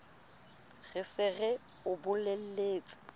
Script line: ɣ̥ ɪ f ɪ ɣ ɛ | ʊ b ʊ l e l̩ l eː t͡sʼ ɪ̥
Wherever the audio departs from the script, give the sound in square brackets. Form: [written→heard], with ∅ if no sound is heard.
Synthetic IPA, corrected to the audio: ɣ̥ ɪ [f→s] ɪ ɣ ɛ | ʊ b ʊ l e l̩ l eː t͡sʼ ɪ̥